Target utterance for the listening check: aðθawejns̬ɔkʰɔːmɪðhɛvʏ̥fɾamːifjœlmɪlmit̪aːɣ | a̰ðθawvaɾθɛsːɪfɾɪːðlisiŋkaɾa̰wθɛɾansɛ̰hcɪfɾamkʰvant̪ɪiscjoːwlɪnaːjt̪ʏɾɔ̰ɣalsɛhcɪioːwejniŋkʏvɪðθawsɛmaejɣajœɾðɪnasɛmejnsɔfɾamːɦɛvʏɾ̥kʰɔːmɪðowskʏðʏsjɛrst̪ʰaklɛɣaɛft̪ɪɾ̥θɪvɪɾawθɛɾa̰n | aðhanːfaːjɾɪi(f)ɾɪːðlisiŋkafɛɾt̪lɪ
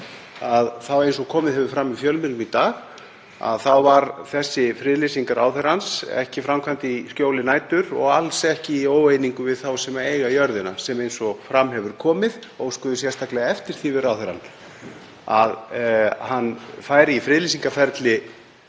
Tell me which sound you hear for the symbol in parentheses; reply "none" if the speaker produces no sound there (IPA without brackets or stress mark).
f